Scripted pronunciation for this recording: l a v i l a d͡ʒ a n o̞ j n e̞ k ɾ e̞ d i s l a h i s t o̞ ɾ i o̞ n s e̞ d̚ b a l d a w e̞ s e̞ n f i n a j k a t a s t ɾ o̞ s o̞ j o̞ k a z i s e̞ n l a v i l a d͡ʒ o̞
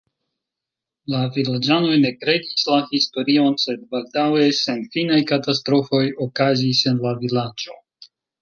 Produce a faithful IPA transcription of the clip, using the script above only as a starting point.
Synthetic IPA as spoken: l a v i l a d͡ʒ a n o̞ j n e̞ k ɾ e̞ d i s l a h i s t o̞ ɾ i o̞ n s e̞ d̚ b a l d a w e̞ s e̞ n f i n a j k a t a s t ɾ o̞ f o̞ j o̞ k a z i s e̞ n l a v i l a d͡ʒ o̞